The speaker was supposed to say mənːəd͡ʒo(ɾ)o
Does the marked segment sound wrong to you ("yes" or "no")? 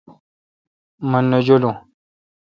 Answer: yes